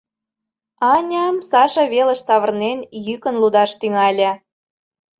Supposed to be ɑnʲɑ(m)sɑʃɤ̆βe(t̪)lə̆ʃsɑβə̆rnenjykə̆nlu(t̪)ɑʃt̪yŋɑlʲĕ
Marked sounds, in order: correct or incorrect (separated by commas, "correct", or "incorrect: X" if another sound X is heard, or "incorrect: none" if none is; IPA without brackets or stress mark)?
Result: correct, incorrect: none, incorrect: d̪